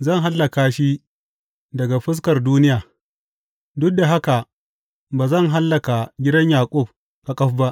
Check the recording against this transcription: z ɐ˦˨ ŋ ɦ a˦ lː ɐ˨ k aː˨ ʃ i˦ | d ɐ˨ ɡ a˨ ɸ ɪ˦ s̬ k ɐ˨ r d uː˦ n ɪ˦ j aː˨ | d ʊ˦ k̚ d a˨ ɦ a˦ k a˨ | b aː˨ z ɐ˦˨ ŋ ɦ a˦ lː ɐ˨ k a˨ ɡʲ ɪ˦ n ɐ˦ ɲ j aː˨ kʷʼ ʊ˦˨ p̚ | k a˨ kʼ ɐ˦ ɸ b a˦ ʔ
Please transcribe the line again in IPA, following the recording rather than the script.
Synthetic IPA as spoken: z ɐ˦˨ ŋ ɦ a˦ lː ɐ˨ k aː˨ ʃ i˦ | d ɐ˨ ɡ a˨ ɸ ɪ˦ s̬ k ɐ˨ r d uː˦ n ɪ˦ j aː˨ | d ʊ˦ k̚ d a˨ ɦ a˦ k a˨ | b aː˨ z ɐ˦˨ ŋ ɦ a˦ lː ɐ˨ k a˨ ɡʲ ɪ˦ d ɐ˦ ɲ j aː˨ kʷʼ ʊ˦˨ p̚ | k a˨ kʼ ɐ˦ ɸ b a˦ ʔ